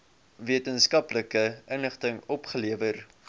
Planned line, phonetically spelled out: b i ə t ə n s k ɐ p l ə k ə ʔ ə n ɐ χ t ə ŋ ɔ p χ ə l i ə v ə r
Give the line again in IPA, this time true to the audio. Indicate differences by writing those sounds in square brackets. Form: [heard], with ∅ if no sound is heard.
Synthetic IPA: [v] i ə t ə n s k ɐ p l ə k ə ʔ ə n [ə] χ t ə ŋ ɔ p χ ə l i ə v ə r

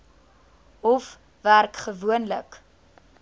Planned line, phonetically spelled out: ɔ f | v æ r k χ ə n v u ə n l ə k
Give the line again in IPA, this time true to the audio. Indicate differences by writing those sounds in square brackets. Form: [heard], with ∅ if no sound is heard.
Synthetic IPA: ɔ f | v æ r k χ ə [∅] v u ə n l ə k

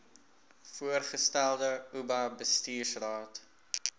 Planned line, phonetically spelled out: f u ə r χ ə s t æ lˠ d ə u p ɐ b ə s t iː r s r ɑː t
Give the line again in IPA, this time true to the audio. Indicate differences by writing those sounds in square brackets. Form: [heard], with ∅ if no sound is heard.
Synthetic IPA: f u ə r χ ə s t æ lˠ d ə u [b] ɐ b ə s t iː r s r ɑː t

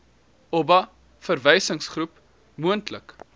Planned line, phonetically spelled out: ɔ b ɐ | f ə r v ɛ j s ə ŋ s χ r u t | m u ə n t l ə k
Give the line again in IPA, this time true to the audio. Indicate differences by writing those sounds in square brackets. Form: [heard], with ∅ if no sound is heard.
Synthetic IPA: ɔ b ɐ | f ə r v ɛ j s ə ŋ s χ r u [p] | m u ə n t l ə k

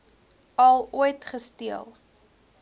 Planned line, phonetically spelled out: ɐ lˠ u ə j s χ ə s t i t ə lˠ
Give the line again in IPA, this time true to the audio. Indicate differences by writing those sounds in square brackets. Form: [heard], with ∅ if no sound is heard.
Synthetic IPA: ɐ lˠ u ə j [t] χ ə s t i [∅] ə lˠ

